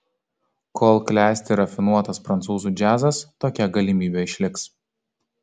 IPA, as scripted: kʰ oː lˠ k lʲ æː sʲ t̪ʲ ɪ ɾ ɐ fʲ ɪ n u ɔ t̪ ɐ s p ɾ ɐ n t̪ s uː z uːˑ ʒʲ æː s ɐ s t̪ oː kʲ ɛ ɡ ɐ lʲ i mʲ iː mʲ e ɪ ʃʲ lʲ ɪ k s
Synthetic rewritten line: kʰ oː lˠ k lʲ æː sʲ t̪ʲ ɪ ɾ ɐ fʲ ɪ n u ɔ t̪ ɐ s p ɾ ɐ n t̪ s uː z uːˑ d͡ʒʲ æː z ɐ s t̪ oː kʲ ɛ ɡ ɐ lʲ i mʲ iː bʲ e ɪ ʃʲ lʲ ɪ k s